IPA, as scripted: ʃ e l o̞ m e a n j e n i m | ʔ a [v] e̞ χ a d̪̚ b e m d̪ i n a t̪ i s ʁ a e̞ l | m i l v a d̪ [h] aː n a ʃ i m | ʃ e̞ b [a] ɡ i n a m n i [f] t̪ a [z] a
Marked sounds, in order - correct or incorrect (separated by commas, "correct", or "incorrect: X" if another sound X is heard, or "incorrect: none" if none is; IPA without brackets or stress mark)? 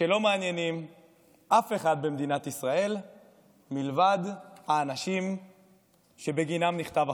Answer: incorrect: f, correct, incorrect: e, incorrect: χ, incorrect: v